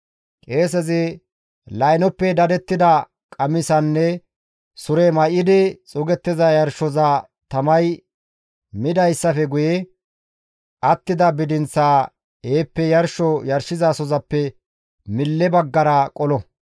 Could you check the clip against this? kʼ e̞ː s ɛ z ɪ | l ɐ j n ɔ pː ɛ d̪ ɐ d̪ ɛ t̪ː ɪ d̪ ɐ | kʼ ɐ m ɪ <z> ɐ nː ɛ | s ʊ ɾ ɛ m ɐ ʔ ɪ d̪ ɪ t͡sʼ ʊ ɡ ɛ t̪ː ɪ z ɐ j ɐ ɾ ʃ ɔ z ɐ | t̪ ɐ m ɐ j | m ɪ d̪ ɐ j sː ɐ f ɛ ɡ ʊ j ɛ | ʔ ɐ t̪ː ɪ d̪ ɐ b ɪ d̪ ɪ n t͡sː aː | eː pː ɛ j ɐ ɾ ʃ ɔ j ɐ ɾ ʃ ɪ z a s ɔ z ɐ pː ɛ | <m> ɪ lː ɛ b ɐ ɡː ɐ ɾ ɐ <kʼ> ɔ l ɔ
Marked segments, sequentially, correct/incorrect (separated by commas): incorrect, correct, correct